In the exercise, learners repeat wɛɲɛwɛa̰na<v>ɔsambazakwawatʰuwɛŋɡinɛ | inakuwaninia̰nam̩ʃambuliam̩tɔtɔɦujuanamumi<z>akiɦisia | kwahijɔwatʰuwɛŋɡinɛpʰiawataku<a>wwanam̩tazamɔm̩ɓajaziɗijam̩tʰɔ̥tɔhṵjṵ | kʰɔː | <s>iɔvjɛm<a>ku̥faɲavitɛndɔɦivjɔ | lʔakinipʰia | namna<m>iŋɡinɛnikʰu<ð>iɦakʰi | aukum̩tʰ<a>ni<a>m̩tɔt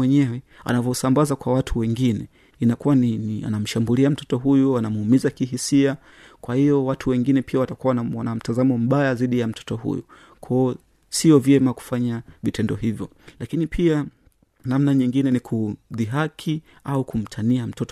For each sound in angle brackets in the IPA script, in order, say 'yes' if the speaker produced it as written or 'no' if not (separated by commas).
yes, yes, yes, yes, yes, no, yes, yes, yes